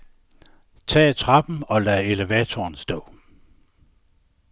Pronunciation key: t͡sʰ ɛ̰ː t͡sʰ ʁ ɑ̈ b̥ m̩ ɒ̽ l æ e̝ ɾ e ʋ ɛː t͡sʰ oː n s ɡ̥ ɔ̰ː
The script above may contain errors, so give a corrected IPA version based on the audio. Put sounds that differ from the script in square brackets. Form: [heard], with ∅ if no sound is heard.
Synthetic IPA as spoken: t͡sʰ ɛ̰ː t͡sʰ ʁ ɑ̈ b̥ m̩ ɒ̽ l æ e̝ [l] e ʋ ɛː t͡sʰ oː n s [d̥] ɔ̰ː